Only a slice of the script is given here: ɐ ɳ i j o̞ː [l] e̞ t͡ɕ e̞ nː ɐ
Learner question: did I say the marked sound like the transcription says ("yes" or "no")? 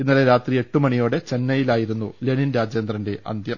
no